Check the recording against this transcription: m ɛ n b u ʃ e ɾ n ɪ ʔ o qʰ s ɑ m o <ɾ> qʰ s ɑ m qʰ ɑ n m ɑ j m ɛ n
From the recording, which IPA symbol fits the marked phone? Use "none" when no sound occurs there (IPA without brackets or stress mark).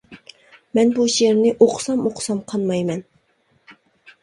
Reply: none